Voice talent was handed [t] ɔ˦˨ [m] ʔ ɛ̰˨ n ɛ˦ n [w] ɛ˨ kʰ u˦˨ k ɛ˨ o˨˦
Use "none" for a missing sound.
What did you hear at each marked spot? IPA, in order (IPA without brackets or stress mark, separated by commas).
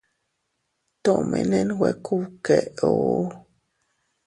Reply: t, m, w